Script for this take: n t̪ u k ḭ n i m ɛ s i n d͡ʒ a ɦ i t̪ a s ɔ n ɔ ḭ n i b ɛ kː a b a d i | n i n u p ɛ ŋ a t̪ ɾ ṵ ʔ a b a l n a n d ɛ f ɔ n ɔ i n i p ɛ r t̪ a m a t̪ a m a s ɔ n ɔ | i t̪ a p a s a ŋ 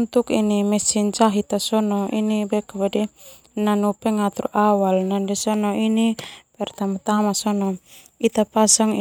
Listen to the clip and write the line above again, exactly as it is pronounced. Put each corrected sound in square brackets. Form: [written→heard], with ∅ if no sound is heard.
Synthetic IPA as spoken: n t̪ u k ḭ n i m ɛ s i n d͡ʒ a ɦ i t̪ a s ɔ n ɔ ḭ n i b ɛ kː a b a d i | n [i→a] n u p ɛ ŋ a t̪ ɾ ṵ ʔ a [b→w] a l n a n d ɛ [f→s] ɔ n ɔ i n i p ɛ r t̪ a m a t̪ a m a s ɔ n ɔ | i t̪ a p a s a ŋ

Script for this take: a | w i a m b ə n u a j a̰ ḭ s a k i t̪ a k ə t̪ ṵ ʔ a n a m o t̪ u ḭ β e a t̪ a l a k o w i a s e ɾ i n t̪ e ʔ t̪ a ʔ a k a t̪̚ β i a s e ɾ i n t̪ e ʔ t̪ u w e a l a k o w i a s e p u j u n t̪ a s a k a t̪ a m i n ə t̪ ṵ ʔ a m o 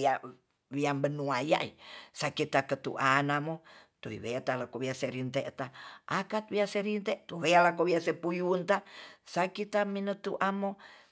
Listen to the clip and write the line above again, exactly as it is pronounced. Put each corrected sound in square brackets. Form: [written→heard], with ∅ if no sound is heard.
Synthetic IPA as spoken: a | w i a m b ə n u a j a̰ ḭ s a k i t̪ a k ə t̪ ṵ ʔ a n a m o t̪ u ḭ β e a t̪ a l a k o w i a s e ɾ i n t̪ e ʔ t̪ a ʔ a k a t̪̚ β i a s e ɾ i n t̪ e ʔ t̪ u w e a l a k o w i a s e p u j u n t̪ a s a k [a→i] t̪ a m i n ə t̪ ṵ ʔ a m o

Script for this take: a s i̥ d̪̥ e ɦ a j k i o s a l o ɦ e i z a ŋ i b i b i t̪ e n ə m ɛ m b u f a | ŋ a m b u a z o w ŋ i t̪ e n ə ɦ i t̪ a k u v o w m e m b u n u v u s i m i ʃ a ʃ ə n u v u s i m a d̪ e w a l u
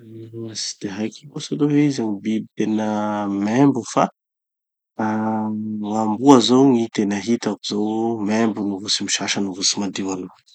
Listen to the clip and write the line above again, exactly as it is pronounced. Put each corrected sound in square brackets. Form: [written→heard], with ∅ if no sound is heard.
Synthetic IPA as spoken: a s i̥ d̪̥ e ɦ a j k i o s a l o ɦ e i z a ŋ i b i b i t̪ e n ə m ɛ m b u f a | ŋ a m b u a z o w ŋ i t̪ e n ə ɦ i t̪ a k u [v→z] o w m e m b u n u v u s i m i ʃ a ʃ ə n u v u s i m a d̪ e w a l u

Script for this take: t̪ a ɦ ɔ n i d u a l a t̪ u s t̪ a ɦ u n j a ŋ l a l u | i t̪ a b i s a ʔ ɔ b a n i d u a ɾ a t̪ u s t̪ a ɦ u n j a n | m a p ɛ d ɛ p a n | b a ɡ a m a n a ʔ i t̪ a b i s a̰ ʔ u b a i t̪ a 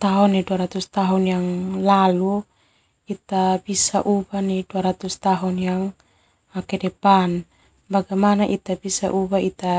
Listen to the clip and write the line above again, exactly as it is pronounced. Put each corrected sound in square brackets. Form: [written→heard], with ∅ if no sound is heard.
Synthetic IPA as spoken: t̪ a ɦ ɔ n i d u a [l→ɾ] a t̪ u s t̪ a ɦ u n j a ŋ l a l u | i t̪ a b i s a ʔ [ɔ→u] b a n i d u a ɾ a t̪ u s t̪ a ɦ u n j a [n→ŋ] | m a [p→k] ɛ d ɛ p a n | b a ɡ a m a n a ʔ i t̪ a b i s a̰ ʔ u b a i t̪ a

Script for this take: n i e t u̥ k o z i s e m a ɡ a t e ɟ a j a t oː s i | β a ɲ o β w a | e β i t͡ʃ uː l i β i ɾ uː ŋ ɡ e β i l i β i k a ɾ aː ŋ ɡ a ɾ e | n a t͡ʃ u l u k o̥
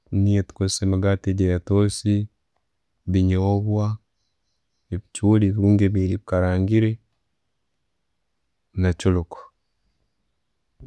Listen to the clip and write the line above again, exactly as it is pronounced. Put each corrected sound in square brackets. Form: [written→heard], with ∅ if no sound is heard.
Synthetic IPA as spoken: n i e t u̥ k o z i s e m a ɡ a t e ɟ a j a t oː s i | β [a→i] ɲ o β w a | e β i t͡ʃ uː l i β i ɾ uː ŋ ɡ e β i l i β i k a ɾ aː ŋ ɡ [a→i] ɾ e | n a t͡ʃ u l u k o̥

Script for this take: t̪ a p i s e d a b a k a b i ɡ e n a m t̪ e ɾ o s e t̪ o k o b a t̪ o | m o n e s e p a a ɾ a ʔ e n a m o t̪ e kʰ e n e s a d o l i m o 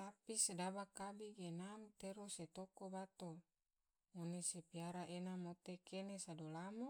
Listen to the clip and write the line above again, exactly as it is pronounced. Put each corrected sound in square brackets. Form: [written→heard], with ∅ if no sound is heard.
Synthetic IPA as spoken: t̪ a p i s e d a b a k a b i ɡ e n a m t̪ e ɾ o s e t̪ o k o b a t̪ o | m o n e s e p [a→i] a ɾ a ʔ e n a m o t̪ e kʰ e n e s a d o l [i→a] m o

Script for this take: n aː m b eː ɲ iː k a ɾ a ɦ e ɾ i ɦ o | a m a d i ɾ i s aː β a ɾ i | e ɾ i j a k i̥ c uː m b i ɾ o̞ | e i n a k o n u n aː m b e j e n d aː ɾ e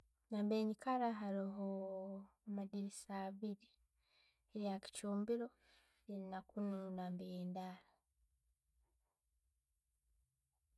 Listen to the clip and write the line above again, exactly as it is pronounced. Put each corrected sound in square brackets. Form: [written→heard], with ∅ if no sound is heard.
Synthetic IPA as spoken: n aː m b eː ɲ [iː→i] k a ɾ a ɦ [e→a] ɾ i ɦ o | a m a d i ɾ i s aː β [a→i] ɾ i | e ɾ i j a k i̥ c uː m b i ɾ o̞ | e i n a k [o→u] n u n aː m b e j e n d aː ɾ [e→a]

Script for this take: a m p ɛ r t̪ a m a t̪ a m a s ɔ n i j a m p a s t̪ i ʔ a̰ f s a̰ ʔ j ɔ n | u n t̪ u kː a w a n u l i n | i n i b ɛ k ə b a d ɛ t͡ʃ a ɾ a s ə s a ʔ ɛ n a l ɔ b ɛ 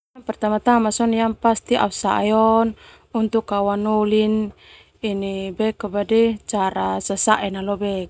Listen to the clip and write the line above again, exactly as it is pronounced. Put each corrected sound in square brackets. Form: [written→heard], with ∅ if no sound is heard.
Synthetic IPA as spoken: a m p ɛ r t̪ a m a t̪ a m a s ɔ n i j a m p a s t̪ i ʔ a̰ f s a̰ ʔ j ɔ n | u n t̪ u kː a w a n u l i n | i n i b ɛ k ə b a d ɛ t͡ʃ a ɾ a s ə s a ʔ ɛ n a l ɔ b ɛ

